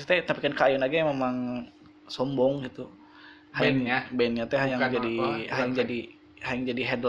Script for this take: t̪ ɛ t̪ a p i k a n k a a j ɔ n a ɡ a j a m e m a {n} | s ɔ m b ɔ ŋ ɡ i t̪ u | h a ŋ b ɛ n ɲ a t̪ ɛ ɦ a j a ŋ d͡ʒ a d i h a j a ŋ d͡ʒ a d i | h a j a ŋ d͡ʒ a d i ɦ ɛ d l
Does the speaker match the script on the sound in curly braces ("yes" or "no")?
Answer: no